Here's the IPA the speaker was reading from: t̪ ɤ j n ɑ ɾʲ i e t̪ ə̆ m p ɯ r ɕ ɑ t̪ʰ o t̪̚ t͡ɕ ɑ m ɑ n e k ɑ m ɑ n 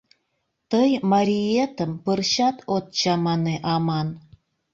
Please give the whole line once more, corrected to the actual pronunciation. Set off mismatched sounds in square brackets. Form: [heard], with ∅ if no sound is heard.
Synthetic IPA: t̪ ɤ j [m] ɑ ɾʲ i e t̪ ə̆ m p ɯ r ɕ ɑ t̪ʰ o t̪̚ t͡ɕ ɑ m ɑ n e [ʔ] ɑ m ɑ n